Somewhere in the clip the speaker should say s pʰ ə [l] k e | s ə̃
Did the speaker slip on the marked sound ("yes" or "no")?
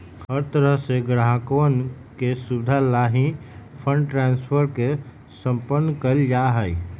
yes